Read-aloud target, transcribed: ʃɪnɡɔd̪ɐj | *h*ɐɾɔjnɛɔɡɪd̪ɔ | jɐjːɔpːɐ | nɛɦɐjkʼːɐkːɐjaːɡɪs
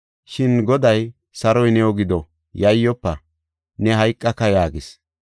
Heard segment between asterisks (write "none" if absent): s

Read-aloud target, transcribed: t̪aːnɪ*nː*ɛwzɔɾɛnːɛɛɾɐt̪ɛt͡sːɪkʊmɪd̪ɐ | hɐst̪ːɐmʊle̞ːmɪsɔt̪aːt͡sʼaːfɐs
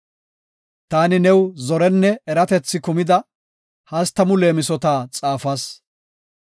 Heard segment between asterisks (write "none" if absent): n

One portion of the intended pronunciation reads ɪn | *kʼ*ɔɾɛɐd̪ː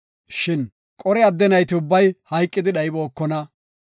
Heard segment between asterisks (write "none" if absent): kʼ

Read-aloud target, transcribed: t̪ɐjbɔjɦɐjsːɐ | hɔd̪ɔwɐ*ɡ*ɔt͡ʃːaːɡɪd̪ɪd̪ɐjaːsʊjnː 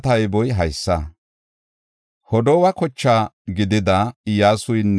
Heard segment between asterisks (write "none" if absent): k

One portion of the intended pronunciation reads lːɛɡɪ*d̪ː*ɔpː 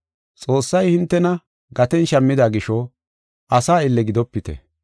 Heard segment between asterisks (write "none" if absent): d̪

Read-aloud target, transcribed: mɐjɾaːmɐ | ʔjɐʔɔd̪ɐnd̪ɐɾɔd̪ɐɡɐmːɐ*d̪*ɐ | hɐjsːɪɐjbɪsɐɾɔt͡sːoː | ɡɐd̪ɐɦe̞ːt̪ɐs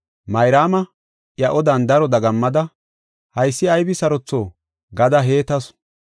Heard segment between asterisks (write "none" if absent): d̪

